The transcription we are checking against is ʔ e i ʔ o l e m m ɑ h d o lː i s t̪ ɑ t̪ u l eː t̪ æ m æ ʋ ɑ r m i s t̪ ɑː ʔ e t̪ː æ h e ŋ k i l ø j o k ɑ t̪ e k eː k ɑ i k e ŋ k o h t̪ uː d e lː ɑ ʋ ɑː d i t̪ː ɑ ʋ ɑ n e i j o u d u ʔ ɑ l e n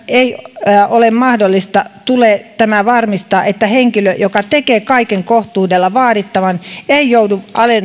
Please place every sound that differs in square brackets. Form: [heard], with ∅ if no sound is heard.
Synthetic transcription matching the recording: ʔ e i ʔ o l e m m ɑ h d o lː i s t̪ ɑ t̪ u l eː t̪ æ m æ ʋ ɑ r m i s t̪ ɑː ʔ e t̪ː æ h e ŋ k i l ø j o k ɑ t̪ e k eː k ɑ i k e ŋ k o h t̪ uː d e lː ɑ ʋ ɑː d i t̪ː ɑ ʋ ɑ n e i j o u d u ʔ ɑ l e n